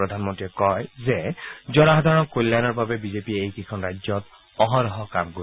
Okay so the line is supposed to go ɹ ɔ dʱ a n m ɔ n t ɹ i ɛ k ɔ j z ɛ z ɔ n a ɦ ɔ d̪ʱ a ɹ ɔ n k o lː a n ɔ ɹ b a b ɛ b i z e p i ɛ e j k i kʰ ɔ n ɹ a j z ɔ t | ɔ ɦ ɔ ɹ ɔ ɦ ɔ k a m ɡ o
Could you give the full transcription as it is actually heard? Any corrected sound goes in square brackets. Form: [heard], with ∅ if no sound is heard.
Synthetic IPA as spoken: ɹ ɔ dʱ a n m ɔ n t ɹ i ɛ k ɔ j z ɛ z ɔ n a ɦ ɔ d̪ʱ a ɹ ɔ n k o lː a n ɔ ɹ b a b ɛ b i z e p i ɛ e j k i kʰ ɔ n ɹ a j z ɔ t | ɔ ɦ ɔ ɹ ɔ ɦ ɔ k a m ɡ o